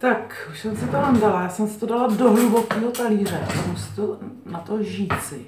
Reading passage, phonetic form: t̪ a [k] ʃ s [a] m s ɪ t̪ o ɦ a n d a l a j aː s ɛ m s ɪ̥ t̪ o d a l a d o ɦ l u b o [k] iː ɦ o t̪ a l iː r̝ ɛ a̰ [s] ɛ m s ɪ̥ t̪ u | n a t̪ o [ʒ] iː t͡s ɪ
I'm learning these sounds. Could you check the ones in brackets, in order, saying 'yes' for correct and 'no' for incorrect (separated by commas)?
yes, no, yes, yes, yes